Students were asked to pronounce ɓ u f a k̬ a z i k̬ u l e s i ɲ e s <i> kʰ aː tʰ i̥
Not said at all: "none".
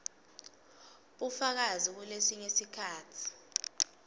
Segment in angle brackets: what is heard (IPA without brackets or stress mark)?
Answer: i